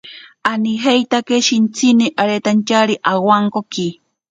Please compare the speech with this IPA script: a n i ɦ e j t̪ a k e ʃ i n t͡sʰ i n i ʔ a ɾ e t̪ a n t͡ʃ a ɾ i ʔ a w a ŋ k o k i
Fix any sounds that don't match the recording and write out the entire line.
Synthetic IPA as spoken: a n i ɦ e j t̪ a k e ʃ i n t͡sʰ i n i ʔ a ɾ e t̪ a n t͡ʃ a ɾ i ʔ a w a ŋ k o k i